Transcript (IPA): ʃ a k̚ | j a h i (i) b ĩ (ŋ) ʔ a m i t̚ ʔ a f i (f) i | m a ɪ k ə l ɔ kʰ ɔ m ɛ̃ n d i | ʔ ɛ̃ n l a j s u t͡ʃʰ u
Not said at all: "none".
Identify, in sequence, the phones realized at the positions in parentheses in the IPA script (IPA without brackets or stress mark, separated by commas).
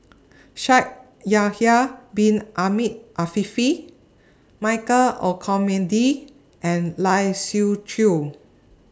a, n, f